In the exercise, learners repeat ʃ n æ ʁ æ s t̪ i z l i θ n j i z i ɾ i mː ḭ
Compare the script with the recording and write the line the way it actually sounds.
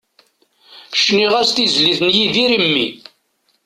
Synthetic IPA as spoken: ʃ n i ʁ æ s t̪ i z l i θ n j i ð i ɾ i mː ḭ